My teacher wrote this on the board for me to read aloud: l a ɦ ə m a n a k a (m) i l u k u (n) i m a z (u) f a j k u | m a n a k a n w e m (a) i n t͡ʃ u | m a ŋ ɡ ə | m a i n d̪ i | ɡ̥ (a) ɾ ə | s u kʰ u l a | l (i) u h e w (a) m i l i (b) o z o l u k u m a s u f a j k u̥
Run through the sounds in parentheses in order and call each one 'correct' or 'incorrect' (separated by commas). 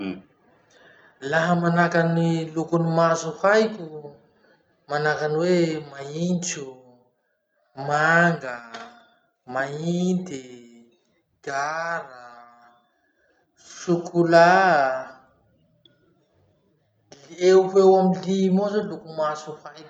incorrect, correct, correct, correct, correct, incorrect, correct, incorrect